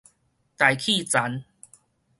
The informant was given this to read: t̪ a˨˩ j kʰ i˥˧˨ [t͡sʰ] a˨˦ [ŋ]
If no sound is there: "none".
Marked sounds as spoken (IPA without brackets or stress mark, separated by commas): t͡s, n